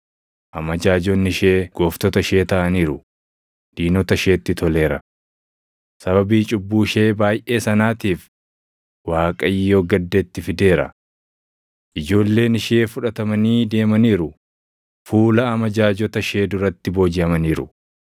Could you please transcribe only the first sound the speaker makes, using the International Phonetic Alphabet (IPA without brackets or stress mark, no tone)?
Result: ʔ